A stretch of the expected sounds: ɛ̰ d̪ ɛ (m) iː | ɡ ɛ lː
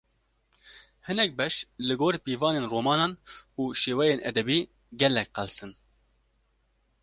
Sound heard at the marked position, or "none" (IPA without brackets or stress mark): b